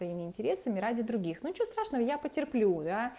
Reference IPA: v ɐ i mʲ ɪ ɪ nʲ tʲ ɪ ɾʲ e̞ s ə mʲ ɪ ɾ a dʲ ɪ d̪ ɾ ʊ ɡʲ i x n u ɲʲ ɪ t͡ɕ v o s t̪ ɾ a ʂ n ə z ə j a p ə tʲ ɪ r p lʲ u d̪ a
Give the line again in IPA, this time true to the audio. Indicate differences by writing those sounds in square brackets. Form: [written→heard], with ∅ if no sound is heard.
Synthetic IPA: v ɐ i mʲ ɪ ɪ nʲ tʲ ɪ ɾʲ e̞ s ə mʲ ɪ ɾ a dʲ ɪ d̪ ɾ ʊ ɡʲ i x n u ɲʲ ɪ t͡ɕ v o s t̪ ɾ a ʂ n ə [z→v] ə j a p ə tʲ ɪ r p lʲ u d̪ a